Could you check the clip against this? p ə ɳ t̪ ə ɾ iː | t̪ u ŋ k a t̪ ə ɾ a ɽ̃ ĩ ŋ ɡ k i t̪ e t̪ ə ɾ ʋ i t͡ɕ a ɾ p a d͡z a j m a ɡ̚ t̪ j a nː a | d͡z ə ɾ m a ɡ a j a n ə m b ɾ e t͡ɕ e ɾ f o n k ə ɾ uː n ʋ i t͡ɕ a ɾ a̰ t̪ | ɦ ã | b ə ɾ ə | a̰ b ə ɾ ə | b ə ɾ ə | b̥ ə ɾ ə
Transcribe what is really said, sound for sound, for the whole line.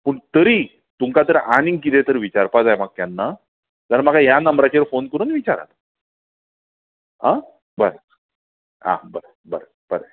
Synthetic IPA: p ə ɳ t̪ ə ɾ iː | t̪ u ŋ k a t̪ ə ɾ a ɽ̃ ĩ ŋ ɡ k i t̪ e t̪ ə ɾ ʋ i t͡ɕ a ɾ p a d͡z a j m a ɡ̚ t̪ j a nː a | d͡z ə ɾ m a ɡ a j a n ə m b ɾ a t͡ɕ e ɾ f o n k ə ɾ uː n ʋ i t͡ɕ a ɾ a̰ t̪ | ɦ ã | b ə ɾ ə | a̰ b ə ɾ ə | b ə ɾ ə | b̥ ə ɾ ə